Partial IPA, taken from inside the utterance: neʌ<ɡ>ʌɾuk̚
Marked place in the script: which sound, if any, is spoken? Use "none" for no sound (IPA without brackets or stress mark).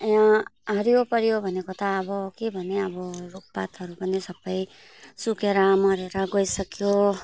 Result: b